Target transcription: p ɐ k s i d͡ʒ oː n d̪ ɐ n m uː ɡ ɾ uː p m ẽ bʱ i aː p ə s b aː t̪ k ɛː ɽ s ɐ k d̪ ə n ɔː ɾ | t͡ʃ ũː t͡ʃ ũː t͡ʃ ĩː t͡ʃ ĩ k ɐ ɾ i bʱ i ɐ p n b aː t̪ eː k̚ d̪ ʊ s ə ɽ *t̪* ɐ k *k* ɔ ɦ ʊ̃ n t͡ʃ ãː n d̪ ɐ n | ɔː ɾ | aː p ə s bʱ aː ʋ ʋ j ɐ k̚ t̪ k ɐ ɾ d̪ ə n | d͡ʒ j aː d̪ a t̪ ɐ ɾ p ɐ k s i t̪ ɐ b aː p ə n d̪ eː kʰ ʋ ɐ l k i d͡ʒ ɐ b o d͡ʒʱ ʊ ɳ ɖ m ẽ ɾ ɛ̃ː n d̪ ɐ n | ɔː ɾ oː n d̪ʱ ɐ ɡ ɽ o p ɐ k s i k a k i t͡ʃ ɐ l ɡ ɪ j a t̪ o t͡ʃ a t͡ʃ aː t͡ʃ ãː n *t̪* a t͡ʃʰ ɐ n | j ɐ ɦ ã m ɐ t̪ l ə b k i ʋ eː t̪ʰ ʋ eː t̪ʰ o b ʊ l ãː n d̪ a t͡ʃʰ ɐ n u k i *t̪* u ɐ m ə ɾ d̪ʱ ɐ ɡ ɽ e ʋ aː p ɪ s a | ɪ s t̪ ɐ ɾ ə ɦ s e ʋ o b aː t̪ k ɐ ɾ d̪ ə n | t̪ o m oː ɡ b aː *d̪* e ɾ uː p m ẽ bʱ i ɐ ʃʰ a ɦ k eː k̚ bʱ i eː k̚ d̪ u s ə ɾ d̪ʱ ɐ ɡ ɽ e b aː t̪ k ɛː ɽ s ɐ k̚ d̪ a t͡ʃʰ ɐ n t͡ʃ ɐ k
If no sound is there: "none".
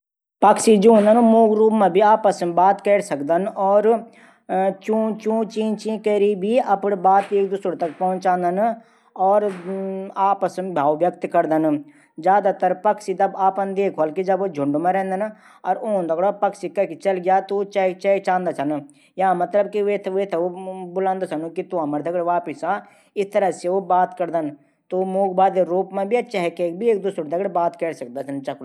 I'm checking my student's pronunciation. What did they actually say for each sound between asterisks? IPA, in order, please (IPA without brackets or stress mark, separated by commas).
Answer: t̪, p, d̪, t̪, d̪